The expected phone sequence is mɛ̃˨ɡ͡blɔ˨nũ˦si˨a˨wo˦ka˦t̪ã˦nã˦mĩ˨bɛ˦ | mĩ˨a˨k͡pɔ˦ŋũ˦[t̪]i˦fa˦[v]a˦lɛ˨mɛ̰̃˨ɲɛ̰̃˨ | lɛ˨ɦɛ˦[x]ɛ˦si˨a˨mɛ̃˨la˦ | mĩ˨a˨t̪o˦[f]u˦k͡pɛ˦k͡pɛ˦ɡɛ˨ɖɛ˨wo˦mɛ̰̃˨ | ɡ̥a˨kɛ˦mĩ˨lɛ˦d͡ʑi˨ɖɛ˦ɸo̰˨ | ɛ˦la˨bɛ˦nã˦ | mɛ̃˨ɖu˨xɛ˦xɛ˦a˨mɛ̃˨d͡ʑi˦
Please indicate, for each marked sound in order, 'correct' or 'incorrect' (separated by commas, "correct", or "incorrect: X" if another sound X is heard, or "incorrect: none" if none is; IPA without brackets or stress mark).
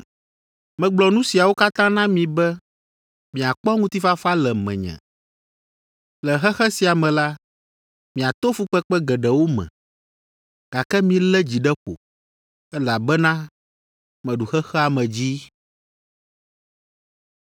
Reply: correct, incorrect: f, correct, correct